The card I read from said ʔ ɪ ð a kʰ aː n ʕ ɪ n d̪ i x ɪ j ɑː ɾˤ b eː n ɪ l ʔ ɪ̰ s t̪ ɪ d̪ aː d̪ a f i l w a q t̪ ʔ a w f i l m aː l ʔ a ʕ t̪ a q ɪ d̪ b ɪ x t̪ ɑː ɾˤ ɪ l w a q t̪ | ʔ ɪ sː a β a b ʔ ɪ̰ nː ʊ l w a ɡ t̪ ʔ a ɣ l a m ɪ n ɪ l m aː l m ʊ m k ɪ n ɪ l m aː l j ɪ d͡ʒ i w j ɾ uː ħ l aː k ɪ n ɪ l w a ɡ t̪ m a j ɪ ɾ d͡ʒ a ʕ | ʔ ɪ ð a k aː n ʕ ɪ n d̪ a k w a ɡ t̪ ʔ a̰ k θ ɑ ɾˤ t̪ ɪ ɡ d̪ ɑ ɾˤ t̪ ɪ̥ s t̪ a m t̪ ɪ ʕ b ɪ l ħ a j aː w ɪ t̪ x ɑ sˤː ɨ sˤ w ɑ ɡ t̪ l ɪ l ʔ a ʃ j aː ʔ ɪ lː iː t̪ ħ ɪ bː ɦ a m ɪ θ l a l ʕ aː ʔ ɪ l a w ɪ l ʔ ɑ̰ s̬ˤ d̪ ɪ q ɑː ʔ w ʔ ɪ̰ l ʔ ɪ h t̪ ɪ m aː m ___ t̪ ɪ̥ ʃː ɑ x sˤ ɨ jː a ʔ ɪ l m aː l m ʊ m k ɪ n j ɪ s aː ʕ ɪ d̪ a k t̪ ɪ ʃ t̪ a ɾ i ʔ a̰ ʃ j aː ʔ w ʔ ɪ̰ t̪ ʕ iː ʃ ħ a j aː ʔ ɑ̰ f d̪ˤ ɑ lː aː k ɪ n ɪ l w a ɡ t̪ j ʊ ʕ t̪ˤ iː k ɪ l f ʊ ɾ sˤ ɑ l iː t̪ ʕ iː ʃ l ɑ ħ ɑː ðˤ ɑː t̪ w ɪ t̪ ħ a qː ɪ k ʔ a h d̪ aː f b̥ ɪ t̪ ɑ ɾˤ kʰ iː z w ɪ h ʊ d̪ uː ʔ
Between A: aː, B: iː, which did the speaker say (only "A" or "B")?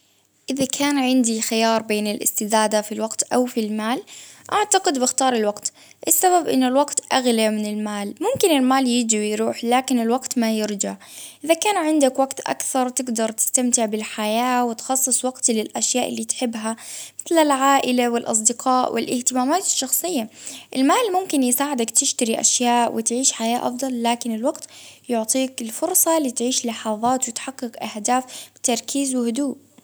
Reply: A